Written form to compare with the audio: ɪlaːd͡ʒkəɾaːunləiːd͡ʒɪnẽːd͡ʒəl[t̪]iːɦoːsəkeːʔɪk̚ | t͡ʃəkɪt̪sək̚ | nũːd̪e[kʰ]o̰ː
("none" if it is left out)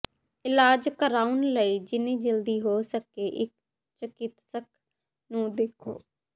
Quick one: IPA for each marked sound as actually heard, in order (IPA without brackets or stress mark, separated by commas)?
d̪, kʰ